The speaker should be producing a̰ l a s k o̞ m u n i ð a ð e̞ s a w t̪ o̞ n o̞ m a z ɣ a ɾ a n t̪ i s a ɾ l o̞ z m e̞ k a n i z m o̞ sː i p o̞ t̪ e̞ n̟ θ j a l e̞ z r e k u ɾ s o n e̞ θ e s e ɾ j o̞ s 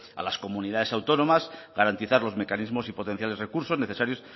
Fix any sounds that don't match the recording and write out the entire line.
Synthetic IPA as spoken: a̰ l a s k o̞ m u n i ð a ð e̞ s a w t̪ o̞ n o̞ m a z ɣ a ɾ a n t̪ i θ a ɾ l o̞ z m e̞ k a n i z m o̞ s i p o̞ t̪ e̞ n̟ θ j a l e̞ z r e k u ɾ s o n e̞ θ e s a ɾ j o̞ s